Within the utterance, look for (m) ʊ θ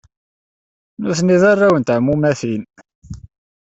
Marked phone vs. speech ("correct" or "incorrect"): incorrect